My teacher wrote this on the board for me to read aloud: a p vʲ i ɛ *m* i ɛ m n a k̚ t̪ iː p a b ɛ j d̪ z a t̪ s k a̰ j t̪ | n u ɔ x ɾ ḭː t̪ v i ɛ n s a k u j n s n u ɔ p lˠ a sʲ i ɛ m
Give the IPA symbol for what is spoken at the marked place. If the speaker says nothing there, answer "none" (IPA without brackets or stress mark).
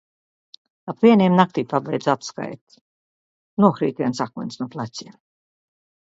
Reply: n